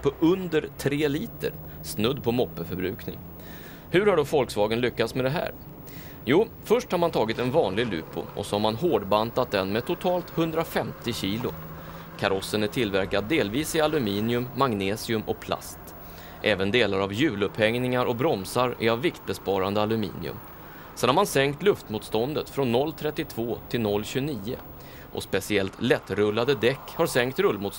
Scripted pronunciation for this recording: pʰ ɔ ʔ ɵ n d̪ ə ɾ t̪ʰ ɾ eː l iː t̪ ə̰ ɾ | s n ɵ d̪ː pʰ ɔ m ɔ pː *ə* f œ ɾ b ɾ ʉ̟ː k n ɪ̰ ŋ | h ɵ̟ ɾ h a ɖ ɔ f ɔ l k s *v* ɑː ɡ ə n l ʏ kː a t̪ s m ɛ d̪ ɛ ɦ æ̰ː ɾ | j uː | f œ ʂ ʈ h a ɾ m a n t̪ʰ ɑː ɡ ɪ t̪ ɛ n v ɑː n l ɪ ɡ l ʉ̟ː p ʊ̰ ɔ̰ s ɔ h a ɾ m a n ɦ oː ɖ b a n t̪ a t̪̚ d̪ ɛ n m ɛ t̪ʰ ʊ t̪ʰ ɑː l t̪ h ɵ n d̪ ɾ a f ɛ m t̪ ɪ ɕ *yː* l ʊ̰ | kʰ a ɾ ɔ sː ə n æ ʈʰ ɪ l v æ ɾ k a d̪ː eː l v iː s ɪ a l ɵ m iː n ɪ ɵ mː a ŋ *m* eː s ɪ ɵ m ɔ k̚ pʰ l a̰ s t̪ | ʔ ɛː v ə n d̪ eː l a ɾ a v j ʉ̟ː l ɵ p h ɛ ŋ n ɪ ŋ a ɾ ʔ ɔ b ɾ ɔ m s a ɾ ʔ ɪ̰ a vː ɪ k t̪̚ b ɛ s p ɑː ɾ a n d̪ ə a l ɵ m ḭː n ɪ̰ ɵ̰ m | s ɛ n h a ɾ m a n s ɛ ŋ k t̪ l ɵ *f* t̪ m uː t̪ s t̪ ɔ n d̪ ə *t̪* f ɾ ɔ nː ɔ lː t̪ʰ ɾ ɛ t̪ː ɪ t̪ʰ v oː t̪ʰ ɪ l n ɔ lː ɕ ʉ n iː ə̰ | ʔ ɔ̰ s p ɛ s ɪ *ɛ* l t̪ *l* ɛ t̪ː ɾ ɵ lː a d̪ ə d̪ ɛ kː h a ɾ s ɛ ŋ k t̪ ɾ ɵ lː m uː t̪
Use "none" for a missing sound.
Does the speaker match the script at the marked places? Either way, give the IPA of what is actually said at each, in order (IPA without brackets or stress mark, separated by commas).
ə, v, iː, n, f, t̪, ɛ, l